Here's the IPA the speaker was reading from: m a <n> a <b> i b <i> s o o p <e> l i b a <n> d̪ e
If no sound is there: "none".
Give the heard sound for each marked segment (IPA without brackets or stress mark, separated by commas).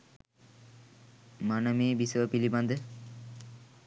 n, m, i, i, n